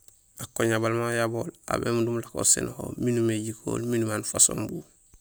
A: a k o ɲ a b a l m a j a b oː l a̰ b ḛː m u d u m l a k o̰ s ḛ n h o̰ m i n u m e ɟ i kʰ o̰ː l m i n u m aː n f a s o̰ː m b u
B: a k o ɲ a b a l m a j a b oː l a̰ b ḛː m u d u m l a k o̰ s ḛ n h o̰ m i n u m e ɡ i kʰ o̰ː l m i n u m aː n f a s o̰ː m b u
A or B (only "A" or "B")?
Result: A